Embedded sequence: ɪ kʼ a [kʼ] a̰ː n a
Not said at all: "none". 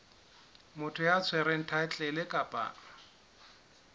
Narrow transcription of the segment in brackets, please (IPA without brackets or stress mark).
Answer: pʼ